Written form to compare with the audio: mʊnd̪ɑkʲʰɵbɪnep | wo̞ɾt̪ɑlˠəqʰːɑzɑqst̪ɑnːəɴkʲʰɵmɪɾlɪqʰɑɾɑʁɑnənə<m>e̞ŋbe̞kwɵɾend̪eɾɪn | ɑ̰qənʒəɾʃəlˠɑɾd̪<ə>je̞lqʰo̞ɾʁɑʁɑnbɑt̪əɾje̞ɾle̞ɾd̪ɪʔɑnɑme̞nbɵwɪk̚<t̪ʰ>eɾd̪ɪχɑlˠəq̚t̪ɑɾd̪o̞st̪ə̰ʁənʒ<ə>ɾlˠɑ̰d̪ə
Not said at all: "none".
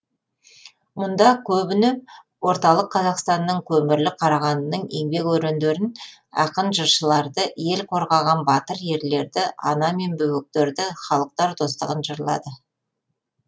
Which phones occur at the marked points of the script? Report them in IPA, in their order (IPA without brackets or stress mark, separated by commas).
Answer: ɴ, ə, t̪, ə